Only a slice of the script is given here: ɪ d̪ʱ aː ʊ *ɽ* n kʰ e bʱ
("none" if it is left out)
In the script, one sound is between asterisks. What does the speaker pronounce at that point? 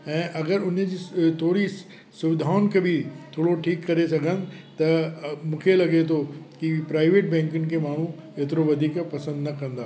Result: none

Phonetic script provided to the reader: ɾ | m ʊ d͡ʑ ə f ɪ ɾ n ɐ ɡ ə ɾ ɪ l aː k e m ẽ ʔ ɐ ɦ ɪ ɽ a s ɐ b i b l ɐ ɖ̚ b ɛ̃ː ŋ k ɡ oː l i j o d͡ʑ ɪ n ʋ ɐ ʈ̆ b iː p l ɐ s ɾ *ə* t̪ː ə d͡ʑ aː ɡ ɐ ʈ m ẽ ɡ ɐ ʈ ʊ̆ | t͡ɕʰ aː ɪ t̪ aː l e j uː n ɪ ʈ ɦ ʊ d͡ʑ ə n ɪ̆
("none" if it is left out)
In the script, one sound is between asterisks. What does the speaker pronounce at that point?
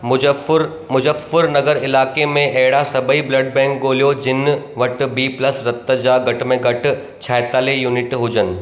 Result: ɐ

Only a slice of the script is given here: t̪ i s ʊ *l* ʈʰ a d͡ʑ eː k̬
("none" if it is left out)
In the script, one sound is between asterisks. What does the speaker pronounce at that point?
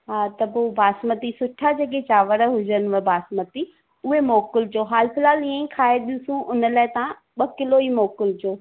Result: none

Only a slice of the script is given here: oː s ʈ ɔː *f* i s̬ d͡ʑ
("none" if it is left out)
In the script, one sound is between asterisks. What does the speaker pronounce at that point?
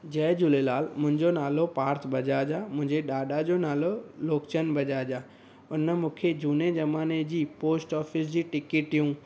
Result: f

